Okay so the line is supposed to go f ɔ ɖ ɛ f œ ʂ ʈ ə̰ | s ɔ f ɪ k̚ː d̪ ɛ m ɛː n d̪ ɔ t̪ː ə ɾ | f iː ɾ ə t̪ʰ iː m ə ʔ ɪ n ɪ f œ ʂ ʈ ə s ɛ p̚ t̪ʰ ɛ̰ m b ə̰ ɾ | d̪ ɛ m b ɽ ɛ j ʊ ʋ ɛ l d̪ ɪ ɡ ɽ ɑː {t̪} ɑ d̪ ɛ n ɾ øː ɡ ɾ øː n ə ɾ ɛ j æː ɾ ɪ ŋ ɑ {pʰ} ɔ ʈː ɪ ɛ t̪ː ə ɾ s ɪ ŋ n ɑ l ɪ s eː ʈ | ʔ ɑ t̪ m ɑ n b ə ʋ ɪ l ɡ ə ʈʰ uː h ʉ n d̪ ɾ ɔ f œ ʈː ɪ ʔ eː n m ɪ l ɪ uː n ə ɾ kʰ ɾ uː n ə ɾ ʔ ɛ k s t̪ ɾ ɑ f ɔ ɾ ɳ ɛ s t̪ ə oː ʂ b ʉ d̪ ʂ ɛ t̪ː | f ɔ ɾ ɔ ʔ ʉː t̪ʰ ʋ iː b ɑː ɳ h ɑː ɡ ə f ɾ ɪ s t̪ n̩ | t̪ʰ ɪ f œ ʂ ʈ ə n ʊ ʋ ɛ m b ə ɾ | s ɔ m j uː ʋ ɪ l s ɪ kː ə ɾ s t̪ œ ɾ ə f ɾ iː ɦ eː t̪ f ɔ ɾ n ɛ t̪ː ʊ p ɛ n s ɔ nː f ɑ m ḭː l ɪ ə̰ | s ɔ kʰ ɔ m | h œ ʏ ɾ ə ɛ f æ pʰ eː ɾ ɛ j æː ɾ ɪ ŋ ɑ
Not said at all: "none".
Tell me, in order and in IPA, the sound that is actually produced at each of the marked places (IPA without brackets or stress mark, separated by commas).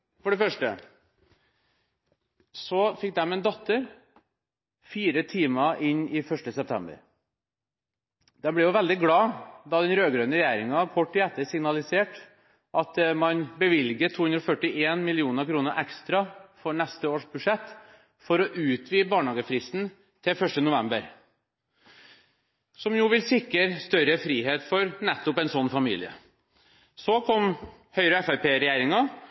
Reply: d̪, kʰ